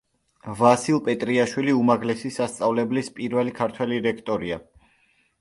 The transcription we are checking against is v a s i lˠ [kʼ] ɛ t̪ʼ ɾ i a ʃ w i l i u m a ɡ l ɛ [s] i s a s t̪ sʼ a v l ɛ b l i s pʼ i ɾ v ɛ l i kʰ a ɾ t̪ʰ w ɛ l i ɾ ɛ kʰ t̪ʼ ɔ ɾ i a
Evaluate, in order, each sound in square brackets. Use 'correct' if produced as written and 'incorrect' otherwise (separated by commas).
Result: incorrect, correct